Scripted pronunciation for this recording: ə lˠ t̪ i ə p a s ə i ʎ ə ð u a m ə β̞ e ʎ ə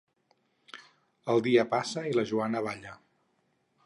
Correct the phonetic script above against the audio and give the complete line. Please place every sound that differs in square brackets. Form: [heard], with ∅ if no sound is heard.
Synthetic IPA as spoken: ə lˠ [d̪] i ə p a s ə i [l] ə [ʒ] u a [n] ə β̞ [a] ʎ ə